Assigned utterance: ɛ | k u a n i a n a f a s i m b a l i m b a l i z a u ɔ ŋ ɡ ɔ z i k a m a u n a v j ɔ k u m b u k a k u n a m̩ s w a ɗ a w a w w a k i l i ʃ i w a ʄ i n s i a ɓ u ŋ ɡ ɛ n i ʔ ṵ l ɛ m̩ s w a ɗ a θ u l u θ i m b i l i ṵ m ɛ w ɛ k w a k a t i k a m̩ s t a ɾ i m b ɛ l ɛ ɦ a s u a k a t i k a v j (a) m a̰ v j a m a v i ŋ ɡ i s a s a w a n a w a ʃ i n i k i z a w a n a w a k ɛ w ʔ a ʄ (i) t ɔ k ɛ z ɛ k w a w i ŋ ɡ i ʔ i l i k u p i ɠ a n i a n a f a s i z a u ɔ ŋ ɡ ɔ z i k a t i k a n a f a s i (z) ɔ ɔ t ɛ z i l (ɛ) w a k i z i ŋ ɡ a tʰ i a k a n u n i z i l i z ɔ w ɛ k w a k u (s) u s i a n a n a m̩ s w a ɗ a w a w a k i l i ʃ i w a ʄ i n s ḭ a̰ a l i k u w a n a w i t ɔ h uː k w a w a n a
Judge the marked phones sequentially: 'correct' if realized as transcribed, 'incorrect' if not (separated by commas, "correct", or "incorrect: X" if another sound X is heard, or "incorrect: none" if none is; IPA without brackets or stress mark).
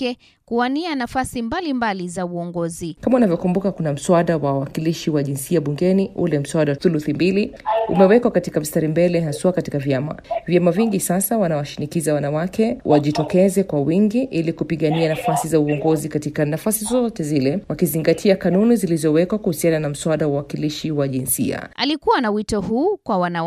correct, correct, correct, correct, incorrect: h